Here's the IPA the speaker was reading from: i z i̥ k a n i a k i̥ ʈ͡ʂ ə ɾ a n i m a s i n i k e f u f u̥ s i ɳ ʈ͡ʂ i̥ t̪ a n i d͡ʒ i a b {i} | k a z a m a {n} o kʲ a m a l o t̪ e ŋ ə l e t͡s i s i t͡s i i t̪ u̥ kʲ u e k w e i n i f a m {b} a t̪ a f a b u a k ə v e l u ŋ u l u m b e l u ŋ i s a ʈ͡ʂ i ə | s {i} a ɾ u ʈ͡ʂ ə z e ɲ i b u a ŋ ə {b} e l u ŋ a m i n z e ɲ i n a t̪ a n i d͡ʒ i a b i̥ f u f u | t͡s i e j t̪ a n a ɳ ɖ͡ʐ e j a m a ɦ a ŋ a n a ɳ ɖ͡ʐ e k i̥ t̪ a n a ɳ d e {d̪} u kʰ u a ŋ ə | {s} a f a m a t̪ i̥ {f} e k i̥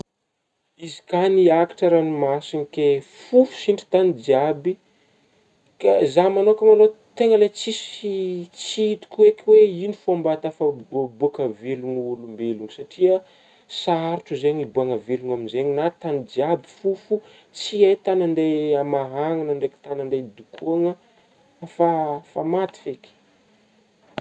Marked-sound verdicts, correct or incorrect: correct, correct, correct, incorrect: a, incorrect: v, correct, incorrect: f, correct

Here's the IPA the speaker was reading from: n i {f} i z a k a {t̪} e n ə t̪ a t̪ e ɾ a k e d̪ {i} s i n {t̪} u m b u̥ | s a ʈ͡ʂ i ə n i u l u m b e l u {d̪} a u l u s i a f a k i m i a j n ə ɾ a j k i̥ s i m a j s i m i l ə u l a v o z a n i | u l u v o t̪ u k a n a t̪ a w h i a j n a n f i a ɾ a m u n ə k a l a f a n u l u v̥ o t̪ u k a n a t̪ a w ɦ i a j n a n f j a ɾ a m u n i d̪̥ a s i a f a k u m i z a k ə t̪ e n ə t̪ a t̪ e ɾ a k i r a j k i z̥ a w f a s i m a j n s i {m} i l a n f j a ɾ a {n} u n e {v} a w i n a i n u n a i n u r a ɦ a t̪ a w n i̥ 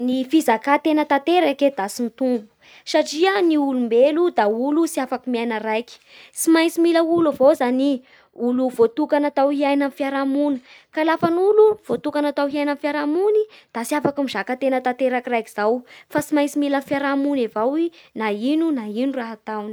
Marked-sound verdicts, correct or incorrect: correct, correct, incorrect: a, correct, correct, correct, incorrect: m, correct

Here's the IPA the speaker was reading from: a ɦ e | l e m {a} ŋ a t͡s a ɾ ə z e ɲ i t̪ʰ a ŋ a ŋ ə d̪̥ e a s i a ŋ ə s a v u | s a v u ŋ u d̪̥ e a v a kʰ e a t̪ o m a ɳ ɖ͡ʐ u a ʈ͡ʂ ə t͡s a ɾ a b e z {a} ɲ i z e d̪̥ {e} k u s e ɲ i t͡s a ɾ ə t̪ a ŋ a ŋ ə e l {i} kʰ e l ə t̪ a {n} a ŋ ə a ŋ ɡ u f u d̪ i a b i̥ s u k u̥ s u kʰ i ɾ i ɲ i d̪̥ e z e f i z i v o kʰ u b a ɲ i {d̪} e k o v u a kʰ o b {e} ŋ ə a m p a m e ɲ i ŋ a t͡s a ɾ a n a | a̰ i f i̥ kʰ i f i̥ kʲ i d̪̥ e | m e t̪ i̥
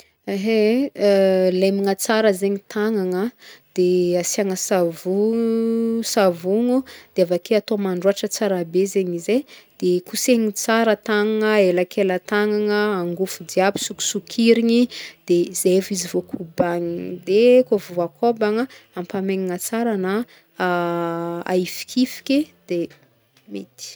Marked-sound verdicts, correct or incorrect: incorrect: i, incorrect: e, correct, incorrect: a, incorrect: ŋ, correct, incorrect: a

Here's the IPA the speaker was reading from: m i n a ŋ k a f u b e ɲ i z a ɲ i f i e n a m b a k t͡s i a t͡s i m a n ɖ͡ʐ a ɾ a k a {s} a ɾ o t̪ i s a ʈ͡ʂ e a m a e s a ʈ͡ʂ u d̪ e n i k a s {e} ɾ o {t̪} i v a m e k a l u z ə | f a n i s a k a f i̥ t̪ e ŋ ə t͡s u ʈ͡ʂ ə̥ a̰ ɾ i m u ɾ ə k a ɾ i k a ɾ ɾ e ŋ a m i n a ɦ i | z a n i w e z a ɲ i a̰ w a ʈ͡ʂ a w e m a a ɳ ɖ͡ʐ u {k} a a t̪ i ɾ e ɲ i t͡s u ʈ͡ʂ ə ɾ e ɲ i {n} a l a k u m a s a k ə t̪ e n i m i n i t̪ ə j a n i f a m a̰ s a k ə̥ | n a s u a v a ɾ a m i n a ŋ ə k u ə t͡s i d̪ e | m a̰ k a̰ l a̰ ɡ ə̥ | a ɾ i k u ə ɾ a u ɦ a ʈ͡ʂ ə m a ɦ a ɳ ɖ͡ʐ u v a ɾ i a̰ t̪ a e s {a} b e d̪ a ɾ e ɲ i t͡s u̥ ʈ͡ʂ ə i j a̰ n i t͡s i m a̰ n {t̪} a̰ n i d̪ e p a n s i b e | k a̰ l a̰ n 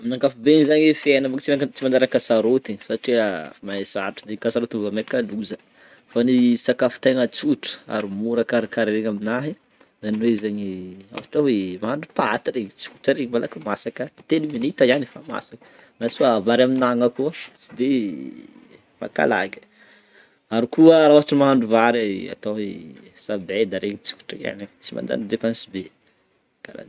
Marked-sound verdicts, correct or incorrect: correct, incorrect: a, correct, incorrect: p, incorrect: m, correct, incorrect: d̪

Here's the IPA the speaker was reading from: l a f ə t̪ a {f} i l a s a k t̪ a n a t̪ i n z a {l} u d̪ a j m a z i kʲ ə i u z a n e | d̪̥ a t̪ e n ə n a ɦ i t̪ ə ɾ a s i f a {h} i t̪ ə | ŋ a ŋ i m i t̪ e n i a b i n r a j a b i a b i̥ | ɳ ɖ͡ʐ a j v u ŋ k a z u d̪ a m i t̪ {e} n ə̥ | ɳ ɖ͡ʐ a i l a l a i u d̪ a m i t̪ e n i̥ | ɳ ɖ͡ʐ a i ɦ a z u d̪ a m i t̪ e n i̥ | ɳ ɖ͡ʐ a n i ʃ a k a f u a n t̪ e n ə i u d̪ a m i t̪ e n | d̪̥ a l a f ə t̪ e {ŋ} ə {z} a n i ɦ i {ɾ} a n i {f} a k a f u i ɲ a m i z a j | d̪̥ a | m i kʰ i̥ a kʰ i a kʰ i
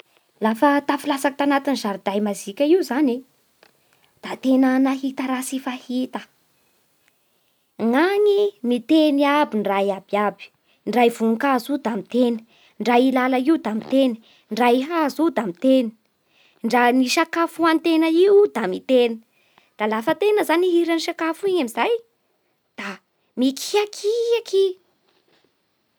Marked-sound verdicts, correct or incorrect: correct, incorrect: ɾ, correct, correct, incorrect: n, correct, correct, incorrect: ʃ

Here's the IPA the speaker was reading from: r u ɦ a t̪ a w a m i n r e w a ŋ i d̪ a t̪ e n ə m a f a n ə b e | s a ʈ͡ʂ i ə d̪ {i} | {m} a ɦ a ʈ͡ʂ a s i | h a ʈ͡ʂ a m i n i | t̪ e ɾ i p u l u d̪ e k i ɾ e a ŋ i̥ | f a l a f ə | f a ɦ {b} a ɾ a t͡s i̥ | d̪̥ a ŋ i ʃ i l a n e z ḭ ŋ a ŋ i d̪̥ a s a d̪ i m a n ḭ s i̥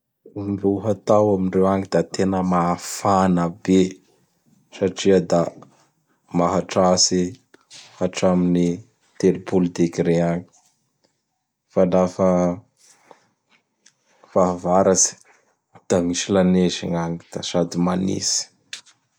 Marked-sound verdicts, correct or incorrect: incorrect: a, correct, incorrect: v

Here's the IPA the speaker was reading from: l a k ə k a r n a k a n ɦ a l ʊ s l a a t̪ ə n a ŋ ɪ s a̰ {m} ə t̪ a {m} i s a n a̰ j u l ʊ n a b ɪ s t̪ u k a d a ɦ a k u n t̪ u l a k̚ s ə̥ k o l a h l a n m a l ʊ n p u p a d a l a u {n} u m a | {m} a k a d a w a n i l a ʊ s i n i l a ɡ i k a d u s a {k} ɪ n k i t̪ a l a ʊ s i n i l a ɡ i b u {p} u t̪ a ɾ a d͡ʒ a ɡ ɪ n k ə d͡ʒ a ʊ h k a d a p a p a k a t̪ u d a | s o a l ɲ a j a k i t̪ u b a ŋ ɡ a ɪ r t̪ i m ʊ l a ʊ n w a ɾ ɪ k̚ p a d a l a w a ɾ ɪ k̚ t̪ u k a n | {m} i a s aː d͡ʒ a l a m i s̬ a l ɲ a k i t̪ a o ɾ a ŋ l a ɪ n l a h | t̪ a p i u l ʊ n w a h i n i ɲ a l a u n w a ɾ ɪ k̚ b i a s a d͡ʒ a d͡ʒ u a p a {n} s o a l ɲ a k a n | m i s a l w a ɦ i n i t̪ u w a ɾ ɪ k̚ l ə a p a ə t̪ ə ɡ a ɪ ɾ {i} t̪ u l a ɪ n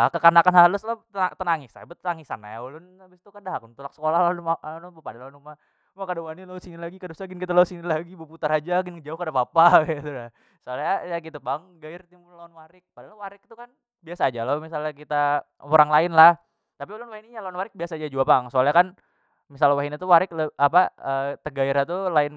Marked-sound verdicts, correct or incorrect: incorrect: b, incorrect: ŋ, correct, correct, incorrect: ɡ, correct, incorrect: b, incorrect: ŋ, incorrect: a

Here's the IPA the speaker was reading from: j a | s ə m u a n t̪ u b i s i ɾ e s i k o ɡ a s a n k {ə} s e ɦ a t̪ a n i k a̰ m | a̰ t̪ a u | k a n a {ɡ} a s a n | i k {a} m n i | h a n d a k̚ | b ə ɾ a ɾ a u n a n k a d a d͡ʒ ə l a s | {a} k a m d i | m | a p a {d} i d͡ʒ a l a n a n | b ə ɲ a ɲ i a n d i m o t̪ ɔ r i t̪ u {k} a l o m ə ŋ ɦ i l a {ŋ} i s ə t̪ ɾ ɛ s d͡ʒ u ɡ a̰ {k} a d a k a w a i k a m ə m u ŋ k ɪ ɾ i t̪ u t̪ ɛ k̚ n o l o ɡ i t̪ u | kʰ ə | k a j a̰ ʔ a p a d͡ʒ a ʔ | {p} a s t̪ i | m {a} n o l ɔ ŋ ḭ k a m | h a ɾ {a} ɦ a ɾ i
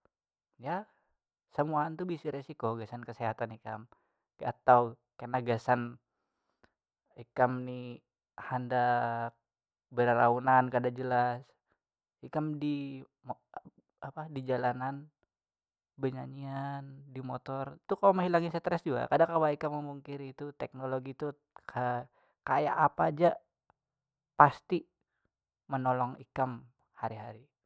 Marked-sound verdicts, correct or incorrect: correct, correct, correct, incorrect: i, correct, correct, correct, correct, correct, incorrect: ə, incorrect: i

